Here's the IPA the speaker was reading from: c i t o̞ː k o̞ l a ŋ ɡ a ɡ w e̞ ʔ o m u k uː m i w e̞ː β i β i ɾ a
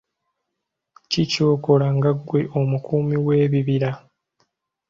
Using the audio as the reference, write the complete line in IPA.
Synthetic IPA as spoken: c i c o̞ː k o̞ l a ŋ ɡ a ɡ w e̞ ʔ o m u k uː m i w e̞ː β i β i ɾ a